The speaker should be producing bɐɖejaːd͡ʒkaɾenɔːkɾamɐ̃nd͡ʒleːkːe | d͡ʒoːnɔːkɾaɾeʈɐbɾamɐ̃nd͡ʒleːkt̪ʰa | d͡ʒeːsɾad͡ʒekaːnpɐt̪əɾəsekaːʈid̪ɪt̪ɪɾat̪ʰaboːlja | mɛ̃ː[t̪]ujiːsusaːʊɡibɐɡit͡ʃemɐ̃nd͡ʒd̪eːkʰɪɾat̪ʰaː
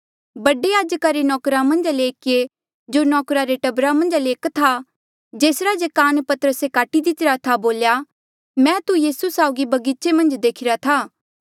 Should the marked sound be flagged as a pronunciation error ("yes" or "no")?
no